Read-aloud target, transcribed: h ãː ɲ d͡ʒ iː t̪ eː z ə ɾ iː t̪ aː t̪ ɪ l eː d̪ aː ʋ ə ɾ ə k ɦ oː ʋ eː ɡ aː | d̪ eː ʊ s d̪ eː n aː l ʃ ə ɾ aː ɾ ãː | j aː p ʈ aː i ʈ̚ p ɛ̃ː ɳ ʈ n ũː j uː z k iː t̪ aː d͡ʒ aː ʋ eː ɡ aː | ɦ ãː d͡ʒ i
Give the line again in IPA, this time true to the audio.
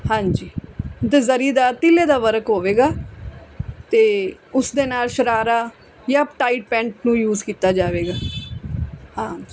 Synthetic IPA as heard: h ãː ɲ d͡ʒ iː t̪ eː z ə ɾ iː d̪ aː t̪ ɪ l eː d̪ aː ʋ ə ɾ ə k ɦ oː ʋ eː ɡ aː | t̪ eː ʊ s d̪ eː n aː l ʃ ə ɾ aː ɾ aː | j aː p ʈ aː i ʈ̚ p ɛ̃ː ɳ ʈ n ũː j uː z k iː t̪ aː d͡ʒ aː ʋ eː ɡ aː | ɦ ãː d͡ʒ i

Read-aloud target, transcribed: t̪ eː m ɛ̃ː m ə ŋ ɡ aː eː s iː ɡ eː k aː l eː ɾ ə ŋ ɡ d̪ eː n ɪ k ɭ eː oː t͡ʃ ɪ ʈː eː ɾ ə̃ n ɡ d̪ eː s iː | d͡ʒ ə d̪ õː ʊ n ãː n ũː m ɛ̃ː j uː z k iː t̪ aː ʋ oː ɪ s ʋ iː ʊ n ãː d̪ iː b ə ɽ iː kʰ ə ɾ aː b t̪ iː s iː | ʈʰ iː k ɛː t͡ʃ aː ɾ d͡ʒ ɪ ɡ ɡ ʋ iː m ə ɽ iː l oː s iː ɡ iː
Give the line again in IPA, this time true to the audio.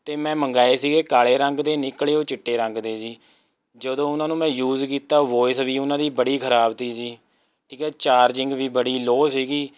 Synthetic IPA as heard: t̪ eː m ɛ̃ː m ə ŋ ɡ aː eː s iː ɡ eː k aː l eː ɾ ə ŋ ɡ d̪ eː n ɪ k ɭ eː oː t͡ʃ ɪ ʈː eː ɾ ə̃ ŋ ɡ d̪ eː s iː | d͡ʒ ə d̪ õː ʊ n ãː n ũː m ɛ̃ː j uː z k iː t̪ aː ʋ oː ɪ s ʋ iː ʊ n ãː d̪ iː b ə ɽ iː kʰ ə ɾ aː b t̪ iː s iː | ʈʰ iː k ɛː t͡ʃ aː ɾ d͡ʒ ɪ ŋ ɡ ʋ iː b ə ɽ iː l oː s iː ɡ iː

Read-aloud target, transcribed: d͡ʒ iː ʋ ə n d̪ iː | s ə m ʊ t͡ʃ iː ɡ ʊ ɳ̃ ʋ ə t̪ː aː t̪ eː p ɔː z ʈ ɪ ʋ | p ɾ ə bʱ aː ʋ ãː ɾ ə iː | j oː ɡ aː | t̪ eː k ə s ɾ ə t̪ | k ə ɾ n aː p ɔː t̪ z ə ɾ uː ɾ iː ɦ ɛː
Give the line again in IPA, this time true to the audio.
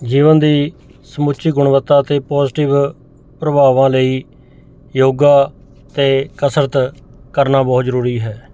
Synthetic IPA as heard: d͡ʒ iː ʋ ə n d̪ iː | s ə m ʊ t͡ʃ iː ɡ ʊ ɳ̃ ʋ ə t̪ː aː t̪ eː p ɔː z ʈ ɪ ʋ | p ɾ ə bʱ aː ʋ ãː l ə iː | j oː ɡ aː | t̪ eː k ə s ɾ ə t̪ | k ə ɾ n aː b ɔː t̪ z ə ɾ uː ɾ iː ɦ ɛː

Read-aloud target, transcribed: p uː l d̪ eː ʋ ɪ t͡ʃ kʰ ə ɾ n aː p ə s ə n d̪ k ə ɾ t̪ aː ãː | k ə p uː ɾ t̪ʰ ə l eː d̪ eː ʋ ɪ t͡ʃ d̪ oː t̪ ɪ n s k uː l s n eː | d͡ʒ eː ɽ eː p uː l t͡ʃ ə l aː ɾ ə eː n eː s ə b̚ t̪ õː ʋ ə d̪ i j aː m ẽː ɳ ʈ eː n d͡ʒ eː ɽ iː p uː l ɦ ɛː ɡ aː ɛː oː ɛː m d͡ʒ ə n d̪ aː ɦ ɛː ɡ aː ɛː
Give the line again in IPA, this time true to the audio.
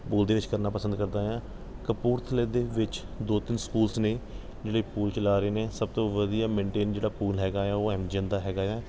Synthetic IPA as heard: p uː l d̪ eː ʋ ɪ t͡ʃ k ə ɾ n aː p ə s ə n d̪ k ə ɾ d̪ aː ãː | k ə p uː ɾ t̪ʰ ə l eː d̪ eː ʋ ɪ t͡ʃ d̪ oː t̪ ɪ n s k uː l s n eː | d͡ʒ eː ɽ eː p uː l t͡ʃ ə l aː ɾ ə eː n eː s ə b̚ t̪ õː ʋ ə d̪ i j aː m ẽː ɳ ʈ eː n d͡ʒ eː ɽ aː p uː l ɦ ɛː ɡ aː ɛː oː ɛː m d͡ʒ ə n d̪ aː ɦ ɛː ɡ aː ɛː

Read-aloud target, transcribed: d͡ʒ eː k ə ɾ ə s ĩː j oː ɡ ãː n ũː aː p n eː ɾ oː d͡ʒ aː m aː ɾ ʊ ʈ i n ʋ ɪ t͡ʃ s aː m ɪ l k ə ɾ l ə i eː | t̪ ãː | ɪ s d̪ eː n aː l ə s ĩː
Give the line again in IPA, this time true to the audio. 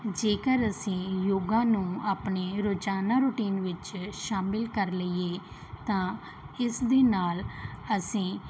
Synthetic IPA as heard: d͡ʒ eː k ə ɾ ə s ĩː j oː ɡ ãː n ũː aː p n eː ɾ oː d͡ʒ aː n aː ɾ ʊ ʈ iː n ʋ ɪ t͡ʃ ʃ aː m ɪ l k ə ɾ l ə i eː | t̪ ãː | ɪ s d̪ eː n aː l ə s ĩː

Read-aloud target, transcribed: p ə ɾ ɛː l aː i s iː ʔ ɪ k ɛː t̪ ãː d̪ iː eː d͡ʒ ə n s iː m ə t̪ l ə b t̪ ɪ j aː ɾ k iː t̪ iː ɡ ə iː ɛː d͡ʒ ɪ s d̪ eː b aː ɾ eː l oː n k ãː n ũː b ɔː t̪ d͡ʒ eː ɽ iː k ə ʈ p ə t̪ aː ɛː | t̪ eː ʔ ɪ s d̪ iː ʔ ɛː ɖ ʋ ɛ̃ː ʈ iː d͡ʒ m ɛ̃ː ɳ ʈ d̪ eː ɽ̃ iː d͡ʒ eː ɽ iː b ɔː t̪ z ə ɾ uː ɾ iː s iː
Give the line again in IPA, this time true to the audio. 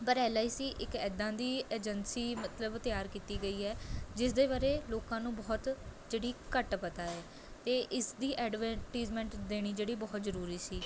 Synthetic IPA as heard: p ə ɾ ɛː l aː i s iː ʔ ɪ k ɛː d̪ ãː d̪ iː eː d͡ʒ ə n s iː m ə t̪ l ə b t̪ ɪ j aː ɾ k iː t̪ iː ɡ ə iː ɛː d͡ʒ ɪ s d̪ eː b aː ɾ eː l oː k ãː n ũː b ɔː t̪ d͡ʒ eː ɽ iː k ə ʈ p ə t̪ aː ɛː | t̪ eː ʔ ɪ s d̪ iː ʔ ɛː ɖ ʋ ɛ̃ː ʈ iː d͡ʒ m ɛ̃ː ɳ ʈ d̪ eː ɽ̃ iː d͡ʒ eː ɽ iː b ɔː t̪ z ə ɾ uː ɾ iː s iː

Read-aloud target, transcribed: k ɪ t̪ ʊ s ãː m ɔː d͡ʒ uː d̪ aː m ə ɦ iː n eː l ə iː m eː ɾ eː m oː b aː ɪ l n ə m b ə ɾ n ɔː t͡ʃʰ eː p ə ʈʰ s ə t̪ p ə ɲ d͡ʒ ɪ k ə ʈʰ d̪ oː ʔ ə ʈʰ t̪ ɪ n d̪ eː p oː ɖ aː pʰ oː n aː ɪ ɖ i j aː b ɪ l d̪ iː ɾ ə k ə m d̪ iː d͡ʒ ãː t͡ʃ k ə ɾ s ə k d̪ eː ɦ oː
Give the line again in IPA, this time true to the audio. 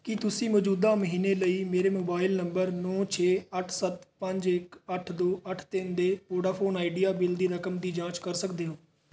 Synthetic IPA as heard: k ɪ t̪ ʊ s ĩː m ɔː d͡ʒ uː d̪ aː m ə ɦ iː n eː l ə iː m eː ɾ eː m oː b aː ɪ l n ə m b ə ɾ n ɔː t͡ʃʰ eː ə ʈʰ s ə t̪ p ə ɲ d͡ʒ ɪ k ə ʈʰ d̪ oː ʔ ə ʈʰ t̪ ɪ n d̪ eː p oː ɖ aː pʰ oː n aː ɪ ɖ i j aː b ɪ l d̪ iː ɾ ə k ə m d̪ iː d͡ʒ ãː t͡ʃ k ə ɾ s ə k d̪ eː ɦ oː

